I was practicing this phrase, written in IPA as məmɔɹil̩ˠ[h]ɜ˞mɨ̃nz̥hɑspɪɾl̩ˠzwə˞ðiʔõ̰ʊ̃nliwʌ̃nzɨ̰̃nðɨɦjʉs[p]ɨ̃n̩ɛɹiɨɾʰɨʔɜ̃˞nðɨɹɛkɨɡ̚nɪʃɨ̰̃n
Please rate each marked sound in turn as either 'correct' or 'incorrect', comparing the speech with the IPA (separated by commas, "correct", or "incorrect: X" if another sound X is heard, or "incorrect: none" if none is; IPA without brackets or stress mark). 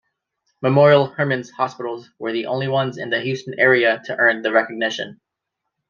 correct, incorrect: t